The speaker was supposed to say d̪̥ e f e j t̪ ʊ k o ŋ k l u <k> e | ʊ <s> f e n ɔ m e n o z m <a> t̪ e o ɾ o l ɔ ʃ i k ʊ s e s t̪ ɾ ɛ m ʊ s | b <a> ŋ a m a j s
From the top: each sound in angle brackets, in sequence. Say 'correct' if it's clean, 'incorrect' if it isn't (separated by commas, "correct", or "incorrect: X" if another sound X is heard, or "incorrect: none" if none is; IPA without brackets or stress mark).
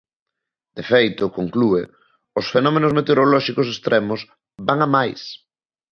incorrect: none, correct, incorrect: e, correct